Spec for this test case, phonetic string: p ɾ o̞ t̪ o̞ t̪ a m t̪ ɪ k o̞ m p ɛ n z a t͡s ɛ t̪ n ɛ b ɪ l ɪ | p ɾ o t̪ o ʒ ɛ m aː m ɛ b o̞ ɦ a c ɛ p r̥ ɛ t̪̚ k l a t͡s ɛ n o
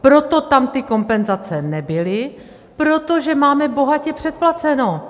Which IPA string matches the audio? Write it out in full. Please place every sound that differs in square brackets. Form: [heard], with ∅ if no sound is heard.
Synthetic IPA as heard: p ɾ o̞ t̪ o̞ t̪ a m t̪ ɪ k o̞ m p ɛ n z a t͡s ɛ [∅] n ɛ b ɪ l ɪ | p ɾ o t̪ o ʒ ɛ m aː m ɛ b o̞ ɦ a c ɛ p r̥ ɛ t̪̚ [p] l a t͡s ɛ n o